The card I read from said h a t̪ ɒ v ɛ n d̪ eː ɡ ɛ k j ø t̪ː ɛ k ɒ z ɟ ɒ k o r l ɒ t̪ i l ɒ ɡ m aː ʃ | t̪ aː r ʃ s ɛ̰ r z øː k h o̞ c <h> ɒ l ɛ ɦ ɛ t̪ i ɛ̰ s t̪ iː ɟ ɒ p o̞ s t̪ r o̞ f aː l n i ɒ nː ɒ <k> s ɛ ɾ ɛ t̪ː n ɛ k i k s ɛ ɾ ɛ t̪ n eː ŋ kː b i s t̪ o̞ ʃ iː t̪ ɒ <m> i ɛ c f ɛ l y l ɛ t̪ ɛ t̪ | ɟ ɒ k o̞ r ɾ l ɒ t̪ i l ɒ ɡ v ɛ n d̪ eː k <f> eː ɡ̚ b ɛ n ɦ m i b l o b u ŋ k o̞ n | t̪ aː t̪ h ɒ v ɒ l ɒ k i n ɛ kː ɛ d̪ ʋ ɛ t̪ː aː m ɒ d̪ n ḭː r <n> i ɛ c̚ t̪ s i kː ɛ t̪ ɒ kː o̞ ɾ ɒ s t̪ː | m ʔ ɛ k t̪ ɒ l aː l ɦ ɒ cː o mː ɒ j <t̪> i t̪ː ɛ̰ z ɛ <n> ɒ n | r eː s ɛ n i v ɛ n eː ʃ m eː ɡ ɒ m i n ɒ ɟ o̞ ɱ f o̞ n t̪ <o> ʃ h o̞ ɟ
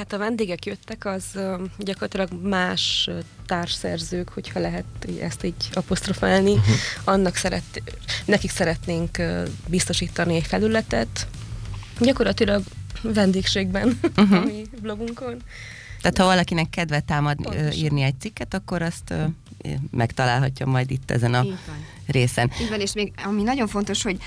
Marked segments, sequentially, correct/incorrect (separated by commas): correct, correct, incorrect, incorrect, correct, incorrect, correct, correct